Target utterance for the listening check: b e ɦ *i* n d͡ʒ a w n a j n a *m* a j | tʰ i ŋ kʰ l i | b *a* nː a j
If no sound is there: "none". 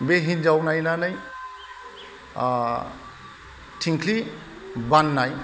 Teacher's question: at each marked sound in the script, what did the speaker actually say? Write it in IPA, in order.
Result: i, n, a

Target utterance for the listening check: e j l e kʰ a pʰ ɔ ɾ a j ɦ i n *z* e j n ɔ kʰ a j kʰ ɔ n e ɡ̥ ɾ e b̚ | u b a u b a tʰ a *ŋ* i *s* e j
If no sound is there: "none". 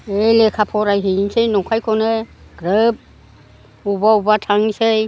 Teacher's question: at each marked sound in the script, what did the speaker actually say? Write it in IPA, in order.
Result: s, ŋ, s

